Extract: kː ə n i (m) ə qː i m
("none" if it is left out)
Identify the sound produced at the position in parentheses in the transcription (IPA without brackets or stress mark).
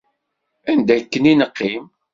n